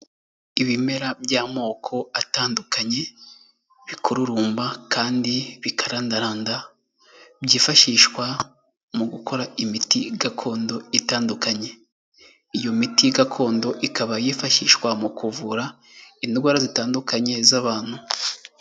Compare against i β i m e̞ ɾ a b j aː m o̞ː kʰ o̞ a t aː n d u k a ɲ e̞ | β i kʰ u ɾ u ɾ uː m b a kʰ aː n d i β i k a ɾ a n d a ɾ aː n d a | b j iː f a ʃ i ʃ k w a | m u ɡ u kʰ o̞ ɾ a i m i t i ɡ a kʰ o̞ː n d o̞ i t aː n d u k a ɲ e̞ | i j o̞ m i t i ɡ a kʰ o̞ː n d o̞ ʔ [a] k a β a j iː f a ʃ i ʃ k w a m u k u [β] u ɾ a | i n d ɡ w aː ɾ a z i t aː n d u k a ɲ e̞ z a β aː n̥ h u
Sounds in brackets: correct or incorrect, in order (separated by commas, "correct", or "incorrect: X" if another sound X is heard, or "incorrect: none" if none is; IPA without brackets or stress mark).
incorrect: i, incorrect: v